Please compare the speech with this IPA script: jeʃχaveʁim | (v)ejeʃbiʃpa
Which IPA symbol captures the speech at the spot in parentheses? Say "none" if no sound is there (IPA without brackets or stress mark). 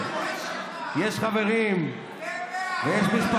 v